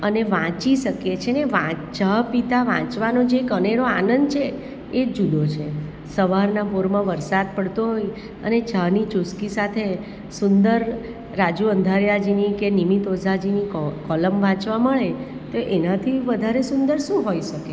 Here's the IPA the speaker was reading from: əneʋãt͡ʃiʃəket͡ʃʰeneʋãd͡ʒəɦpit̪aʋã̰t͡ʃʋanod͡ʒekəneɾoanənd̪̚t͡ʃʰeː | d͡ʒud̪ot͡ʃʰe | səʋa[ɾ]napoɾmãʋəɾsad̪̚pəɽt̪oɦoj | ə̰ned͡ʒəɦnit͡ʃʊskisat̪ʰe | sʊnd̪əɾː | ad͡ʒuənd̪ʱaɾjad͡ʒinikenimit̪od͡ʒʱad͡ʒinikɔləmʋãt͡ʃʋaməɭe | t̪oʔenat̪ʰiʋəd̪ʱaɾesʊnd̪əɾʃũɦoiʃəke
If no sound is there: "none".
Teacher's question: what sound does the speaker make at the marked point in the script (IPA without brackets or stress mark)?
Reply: ɾ